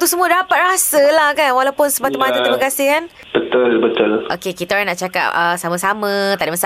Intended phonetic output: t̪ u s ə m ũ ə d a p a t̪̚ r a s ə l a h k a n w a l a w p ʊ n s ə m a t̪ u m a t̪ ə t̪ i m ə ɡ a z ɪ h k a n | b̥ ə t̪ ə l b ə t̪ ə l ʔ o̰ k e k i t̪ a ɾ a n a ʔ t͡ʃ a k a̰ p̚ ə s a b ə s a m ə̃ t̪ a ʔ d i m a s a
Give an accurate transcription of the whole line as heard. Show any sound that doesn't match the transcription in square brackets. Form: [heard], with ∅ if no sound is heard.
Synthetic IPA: t̪ u s ə m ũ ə d a p a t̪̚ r a s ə l a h k a n w a l a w p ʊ n s ə m a t̪ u m a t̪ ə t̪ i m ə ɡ a [s] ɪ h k a n | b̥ ə t̪ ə l b ə t̪ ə l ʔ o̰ k e k i t̪ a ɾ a n a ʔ t͡ʃ a k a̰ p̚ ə s a [m] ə s a m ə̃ t̪ a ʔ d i m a s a